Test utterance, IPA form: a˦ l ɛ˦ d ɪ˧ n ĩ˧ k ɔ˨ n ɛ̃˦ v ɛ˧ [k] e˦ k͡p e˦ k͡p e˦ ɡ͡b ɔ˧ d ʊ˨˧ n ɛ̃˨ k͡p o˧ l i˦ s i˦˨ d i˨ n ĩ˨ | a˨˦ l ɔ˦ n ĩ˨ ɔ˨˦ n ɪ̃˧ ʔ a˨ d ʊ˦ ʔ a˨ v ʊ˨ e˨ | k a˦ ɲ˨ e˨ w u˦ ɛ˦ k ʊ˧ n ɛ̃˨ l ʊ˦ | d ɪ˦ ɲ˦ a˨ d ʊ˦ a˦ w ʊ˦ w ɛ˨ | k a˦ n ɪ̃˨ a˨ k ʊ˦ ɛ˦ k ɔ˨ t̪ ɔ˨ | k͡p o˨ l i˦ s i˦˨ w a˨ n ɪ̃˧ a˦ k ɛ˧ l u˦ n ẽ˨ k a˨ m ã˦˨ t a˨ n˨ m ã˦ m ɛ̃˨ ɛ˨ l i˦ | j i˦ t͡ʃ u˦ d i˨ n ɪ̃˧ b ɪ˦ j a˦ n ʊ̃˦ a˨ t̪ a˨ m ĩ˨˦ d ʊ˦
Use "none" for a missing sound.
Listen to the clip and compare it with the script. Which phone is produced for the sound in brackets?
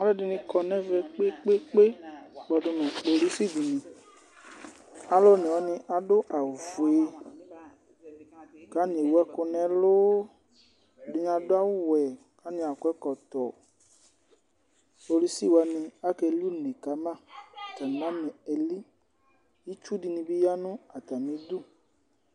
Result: k͡p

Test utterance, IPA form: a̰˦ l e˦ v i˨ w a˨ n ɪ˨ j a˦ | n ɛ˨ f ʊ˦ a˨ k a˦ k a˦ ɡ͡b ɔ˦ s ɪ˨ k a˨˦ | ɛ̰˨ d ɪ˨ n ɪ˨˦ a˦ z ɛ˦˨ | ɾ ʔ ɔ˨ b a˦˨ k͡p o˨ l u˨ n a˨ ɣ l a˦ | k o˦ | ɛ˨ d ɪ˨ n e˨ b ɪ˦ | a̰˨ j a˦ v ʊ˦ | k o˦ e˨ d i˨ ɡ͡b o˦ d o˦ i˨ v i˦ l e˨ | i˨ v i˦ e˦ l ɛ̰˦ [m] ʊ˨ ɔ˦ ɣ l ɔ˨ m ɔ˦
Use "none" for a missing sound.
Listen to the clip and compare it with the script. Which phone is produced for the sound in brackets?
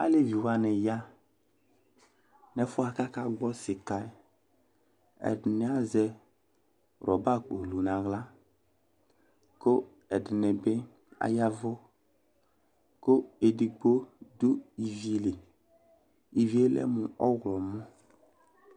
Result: m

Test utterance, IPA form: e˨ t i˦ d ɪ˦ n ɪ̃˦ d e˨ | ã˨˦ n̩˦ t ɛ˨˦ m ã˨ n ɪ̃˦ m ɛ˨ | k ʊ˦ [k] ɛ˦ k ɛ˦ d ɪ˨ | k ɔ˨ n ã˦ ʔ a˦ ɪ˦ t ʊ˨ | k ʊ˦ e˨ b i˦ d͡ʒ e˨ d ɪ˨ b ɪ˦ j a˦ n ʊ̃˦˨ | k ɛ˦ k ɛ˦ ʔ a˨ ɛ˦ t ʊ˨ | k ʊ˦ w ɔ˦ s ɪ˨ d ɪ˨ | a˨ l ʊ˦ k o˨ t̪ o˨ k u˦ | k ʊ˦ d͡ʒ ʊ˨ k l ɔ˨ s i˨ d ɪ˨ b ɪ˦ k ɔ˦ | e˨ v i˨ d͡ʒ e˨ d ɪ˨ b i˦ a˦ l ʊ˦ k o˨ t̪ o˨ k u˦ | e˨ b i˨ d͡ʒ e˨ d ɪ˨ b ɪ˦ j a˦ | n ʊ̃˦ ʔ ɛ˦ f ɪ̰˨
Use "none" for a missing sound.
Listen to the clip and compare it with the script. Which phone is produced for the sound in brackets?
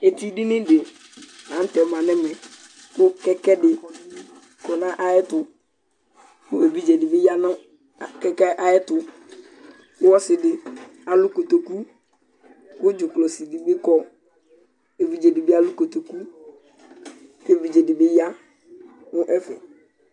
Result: k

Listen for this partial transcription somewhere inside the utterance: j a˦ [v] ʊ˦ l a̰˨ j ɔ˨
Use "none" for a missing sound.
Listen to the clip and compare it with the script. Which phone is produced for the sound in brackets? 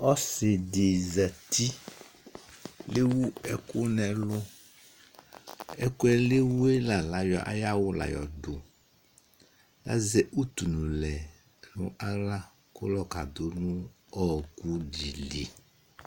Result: w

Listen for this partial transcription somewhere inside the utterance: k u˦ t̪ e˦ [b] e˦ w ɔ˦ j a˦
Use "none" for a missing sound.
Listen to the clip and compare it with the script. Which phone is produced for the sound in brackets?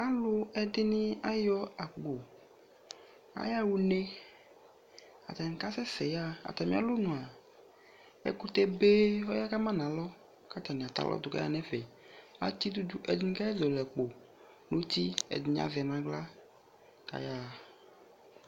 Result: b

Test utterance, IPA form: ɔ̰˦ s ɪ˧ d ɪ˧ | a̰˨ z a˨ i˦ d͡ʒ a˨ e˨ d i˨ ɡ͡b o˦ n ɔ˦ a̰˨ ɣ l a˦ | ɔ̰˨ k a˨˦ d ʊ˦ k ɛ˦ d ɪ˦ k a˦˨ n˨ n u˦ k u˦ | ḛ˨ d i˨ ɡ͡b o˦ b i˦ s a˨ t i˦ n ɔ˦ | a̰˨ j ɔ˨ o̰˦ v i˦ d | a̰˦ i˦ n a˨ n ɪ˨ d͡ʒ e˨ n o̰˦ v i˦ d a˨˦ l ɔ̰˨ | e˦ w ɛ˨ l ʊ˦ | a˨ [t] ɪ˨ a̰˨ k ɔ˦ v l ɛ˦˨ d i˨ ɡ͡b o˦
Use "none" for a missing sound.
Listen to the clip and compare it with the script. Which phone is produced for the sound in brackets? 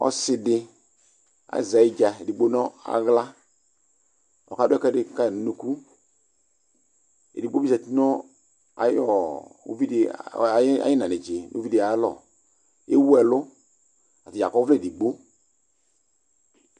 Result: t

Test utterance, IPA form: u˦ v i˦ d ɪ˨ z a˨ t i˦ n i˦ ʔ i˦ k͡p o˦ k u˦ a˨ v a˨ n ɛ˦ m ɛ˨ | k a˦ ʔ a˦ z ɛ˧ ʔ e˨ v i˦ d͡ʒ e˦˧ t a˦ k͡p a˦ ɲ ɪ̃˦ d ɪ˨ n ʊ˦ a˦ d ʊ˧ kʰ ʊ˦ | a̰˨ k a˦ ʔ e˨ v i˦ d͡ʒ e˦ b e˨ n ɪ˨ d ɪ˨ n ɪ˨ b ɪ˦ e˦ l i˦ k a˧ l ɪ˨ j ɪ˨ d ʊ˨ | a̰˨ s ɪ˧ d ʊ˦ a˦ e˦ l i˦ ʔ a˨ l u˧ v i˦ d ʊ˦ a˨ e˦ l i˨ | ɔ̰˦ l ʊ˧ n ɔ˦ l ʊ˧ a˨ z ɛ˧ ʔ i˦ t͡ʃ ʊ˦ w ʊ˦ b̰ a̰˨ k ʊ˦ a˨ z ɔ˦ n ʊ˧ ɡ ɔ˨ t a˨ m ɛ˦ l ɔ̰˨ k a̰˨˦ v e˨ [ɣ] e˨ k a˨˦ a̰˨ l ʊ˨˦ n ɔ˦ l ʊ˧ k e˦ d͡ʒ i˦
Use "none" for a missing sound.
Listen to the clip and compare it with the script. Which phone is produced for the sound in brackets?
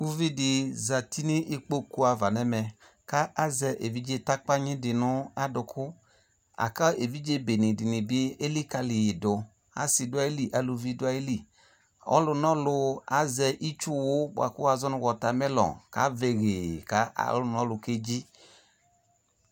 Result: ɣ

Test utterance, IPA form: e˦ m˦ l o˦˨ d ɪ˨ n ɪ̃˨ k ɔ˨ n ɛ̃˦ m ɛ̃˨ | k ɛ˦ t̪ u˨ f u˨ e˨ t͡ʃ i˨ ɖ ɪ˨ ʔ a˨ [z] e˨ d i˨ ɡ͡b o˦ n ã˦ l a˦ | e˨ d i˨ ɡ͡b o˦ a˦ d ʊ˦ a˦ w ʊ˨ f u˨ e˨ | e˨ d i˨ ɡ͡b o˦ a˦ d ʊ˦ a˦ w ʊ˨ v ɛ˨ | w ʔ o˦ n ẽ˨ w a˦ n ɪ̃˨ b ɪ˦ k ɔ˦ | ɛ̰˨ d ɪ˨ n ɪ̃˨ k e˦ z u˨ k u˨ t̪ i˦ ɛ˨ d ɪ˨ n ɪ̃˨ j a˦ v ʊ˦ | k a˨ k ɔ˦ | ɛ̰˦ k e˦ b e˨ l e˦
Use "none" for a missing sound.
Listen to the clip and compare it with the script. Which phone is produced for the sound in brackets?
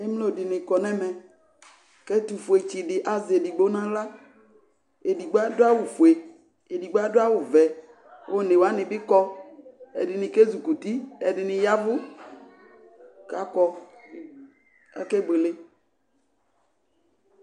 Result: z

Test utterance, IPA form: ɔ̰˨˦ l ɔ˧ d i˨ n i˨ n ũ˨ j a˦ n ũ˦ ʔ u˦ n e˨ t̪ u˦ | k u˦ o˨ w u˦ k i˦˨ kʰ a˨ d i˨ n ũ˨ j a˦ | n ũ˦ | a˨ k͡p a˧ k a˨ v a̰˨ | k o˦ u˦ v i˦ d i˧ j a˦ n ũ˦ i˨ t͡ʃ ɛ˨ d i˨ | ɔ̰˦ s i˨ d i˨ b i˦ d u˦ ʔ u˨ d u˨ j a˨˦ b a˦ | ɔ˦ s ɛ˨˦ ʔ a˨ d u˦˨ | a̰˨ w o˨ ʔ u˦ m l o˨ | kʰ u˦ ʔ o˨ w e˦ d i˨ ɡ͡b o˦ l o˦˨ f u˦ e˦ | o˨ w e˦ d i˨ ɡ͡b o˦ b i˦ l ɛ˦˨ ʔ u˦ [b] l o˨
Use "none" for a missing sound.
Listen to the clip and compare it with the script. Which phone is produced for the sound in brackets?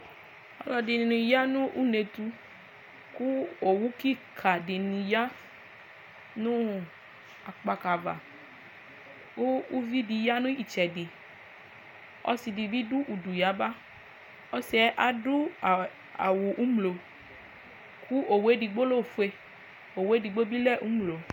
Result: m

